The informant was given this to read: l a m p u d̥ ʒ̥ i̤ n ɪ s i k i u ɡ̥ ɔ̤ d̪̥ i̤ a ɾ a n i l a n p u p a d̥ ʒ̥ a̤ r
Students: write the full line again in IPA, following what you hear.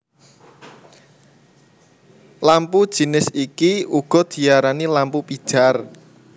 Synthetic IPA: l a m p u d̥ ʒ̥ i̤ n ɪ s i k i u ɡ̥ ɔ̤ d̪̥ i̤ a ɾ a n i l a m p u p i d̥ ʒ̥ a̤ r